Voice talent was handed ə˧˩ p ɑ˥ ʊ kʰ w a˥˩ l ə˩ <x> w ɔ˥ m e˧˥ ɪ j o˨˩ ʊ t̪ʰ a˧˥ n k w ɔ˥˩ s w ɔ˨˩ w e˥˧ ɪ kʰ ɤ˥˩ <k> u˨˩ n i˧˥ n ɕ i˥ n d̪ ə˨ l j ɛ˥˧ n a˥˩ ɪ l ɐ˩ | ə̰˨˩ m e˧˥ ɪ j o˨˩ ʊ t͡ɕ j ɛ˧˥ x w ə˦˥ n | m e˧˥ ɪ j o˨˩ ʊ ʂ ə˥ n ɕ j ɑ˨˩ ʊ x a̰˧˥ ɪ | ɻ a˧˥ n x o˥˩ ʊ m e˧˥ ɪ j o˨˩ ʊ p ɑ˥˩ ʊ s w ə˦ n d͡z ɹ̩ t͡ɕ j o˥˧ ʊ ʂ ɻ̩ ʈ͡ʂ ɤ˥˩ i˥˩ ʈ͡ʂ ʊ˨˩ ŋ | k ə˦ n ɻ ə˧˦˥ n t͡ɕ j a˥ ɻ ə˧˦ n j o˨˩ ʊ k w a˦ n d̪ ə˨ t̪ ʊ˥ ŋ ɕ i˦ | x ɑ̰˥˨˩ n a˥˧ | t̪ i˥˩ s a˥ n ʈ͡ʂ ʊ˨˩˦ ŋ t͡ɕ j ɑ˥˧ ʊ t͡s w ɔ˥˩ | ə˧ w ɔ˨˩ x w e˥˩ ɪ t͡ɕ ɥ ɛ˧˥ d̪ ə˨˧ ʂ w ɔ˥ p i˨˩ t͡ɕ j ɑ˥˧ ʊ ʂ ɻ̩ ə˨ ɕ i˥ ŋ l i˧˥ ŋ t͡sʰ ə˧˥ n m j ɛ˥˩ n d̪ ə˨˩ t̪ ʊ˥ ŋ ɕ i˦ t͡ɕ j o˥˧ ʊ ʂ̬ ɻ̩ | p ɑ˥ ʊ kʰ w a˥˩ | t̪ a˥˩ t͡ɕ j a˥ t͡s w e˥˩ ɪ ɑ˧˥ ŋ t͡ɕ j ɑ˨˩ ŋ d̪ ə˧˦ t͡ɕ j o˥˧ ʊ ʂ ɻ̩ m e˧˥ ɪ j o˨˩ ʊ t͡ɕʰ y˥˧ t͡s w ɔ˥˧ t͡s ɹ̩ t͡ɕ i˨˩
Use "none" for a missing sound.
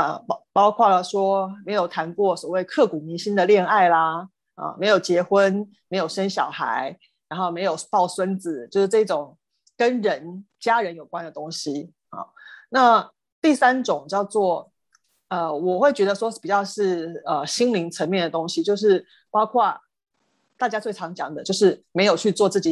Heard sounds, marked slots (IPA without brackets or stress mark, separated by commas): ʂ, k